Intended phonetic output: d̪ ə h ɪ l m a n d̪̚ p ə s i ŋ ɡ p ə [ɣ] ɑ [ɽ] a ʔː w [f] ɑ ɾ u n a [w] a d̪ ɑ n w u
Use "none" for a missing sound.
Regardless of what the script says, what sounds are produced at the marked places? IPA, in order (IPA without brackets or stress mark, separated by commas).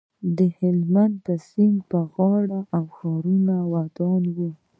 ɣ, ɽ, x, w